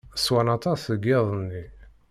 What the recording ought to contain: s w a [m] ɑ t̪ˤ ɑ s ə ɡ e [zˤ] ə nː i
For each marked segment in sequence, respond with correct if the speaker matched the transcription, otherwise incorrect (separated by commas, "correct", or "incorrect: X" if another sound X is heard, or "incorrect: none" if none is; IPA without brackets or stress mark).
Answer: incorrect: n, incorrect: ðˤ